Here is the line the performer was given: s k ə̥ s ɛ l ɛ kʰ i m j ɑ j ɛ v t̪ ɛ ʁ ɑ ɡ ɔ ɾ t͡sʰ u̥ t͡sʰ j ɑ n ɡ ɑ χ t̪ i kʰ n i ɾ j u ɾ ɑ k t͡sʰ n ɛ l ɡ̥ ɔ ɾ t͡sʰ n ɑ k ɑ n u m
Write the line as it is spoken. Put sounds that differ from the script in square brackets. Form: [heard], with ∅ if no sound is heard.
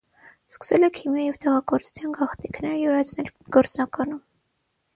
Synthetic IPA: s k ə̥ s ɛ l ɛ kʰ i m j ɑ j ɛ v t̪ ɛ ʁ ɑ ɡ ɔ ɾ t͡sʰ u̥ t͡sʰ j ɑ n ɡ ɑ χ t̪ i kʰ n [ɛ] ɾ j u ɾ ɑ [∅] t͡sʰ n ɛ l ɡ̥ ɔ ɾ [t͡s] n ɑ k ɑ n u m